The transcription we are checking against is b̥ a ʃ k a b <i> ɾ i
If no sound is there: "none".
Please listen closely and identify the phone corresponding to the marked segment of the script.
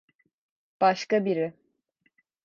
i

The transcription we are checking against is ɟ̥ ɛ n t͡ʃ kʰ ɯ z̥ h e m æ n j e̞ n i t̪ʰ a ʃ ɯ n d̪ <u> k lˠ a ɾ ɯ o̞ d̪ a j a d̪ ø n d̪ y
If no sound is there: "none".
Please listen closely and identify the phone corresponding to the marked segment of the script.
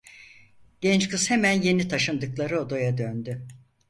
ɯ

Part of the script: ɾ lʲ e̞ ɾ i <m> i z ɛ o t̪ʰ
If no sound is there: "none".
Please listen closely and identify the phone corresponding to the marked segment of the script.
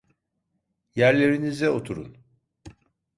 n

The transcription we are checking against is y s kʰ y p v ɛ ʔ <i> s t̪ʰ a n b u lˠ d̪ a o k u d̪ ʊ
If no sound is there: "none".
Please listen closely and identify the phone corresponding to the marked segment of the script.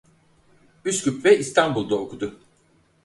i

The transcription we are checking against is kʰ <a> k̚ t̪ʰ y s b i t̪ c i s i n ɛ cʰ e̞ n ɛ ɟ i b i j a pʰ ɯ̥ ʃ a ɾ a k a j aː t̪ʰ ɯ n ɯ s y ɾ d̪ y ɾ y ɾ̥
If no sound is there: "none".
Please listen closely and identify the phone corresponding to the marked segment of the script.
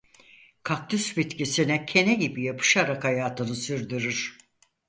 a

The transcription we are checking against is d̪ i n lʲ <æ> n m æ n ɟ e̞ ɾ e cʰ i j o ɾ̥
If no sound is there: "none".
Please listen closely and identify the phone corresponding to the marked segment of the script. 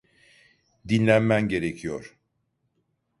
æ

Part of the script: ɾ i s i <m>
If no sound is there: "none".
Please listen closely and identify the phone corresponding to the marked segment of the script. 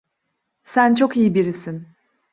n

